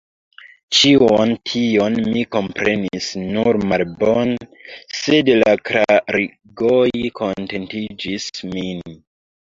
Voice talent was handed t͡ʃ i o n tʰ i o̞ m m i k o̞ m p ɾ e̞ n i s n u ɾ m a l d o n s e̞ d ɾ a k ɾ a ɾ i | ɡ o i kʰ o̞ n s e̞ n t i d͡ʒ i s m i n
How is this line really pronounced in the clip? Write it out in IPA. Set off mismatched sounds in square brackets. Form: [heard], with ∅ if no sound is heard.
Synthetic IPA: t͡ʃ i o n tʰ i o̞ [n] m i k o̞ m p ɾ e̞ n i s n u ɾ m a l [b] o n s e̞ d [l] a k ɾ a ɾ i | ɡ o [j] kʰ o̞ n [t] e̞ n t i d͡ʒ i s m i n